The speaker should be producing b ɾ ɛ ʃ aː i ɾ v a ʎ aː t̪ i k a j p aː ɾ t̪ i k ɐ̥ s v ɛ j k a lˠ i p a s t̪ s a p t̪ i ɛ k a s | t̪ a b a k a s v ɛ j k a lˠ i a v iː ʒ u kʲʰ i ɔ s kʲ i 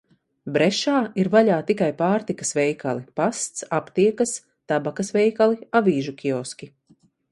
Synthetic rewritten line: b ɾ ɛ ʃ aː i ɾ v a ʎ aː t̪ i k a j p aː ɾ t̪ i k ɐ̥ s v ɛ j k a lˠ i p a s t̪ s a p t̪ i ɛ k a s | t̪ a b a k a s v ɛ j k a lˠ i a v iː ʒ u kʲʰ i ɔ s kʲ i